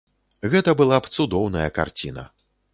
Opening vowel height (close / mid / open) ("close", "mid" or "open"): mid